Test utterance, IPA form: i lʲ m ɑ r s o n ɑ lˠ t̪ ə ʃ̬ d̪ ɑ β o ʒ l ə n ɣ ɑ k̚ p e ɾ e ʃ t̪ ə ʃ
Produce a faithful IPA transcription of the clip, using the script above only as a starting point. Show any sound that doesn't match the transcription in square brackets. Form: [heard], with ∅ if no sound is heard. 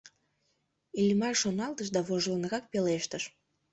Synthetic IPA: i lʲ m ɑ r [ʃ] o n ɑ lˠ t̪ ə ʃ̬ d̪ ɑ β o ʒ l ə n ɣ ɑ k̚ p e [l] e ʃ t̪ ə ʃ